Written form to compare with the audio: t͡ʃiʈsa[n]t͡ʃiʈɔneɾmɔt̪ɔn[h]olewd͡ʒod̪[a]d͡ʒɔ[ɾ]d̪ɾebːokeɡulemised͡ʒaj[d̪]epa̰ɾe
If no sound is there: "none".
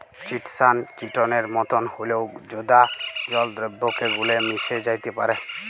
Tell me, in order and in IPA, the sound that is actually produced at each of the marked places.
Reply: n, h, a, l, t̪

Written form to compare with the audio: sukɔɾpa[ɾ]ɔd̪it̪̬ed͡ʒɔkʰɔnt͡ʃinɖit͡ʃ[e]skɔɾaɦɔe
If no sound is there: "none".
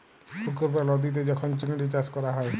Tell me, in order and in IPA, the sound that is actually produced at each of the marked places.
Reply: l, a

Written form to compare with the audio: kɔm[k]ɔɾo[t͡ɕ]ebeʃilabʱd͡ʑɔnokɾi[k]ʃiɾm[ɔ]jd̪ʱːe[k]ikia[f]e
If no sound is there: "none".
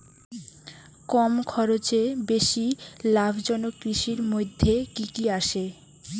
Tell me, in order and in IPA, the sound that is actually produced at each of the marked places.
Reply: kʰ, t͡ɕ, none, o, k, ʃ

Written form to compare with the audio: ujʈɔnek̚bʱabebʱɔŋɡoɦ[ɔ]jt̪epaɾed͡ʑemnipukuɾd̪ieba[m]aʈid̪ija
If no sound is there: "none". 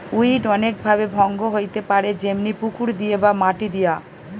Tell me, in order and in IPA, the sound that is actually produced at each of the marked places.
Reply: o, m

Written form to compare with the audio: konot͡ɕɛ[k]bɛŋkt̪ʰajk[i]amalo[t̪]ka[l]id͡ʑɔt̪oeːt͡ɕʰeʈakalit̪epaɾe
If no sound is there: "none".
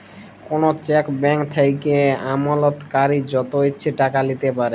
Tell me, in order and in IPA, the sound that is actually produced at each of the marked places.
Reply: k, e, t̪, ɾ

